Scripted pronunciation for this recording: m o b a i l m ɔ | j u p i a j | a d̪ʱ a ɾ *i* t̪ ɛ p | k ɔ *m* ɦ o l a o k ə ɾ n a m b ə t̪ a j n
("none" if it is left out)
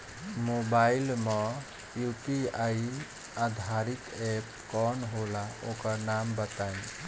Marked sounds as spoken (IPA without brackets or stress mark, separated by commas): i, n